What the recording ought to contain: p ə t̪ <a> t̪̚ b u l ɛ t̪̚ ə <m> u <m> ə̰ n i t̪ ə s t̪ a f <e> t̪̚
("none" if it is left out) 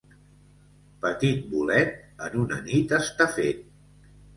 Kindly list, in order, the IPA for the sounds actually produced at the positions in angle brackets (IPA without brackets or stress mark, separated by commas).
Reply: i, n, n, e